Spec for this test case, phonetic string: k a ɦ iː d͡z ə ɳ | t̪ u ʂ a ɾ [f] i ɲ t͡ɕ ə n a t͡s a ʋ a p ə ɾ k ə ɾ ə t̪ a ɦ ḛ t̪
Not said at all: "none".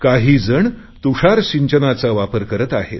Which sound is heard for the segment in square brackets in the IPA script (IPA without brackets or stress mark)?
ɕ